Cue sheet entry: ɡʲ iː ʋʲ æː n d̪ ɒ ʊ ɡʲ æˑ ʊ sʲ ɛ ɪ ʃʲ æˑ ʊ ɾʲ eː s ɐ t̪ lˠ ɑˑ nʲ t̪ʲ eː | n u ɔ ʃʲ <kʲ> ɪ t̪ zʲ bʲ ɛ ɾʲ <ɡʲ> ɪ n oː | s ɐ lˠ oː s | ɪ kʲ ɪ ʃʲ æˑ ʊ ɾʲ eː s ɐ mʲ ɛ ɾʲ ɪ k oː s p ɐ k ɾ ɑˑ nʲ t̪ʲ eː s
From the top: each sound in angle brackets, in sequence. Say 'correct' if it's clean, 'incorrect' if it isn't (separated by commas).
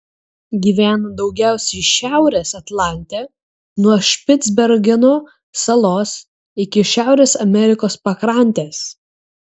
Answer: incorrect, correct